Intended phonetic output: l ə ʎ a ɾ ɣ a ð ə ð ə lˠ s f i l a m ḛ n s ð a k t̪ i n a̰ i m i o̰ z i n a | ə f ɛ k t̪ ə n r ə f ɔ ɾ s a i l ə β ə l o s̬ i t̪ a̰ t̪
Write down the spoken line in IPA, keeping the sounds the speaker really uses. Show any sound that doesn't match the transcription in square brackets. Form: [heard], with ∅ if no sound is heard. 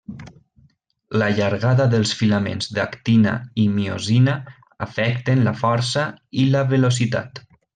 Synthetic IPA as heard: l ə ʎ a ɾ ɣ a ð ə ð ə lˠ s f i l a m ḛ n [z] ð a k t̪ i n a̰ i m i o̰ z i n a | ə f ɛ k t̪ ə n [l] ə f ɔ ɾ s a i l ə β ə l o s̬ i t̪ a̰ t̪